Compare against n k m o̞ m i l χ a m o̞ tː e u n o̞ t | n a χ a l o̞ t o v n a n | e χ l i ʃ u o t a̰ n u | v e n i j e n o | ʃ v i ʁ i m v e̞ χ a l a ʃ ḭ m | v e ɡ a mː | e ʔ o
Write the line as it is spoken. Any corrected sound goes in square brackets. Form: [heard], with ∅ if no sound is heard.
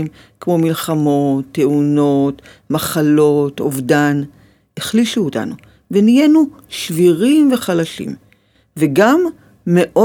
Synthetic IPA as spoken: [m] k m o̞ m i l χ a m o̞ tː e u n o̞ t | [m] a χ a l o̞ t o v [d] a n | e χ l i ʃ u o t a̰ n u | v e n i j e n [u] | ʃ v i ʁ i m v e̞ χ a l a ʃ ḭ m | v e ɡ a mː | e ʔ o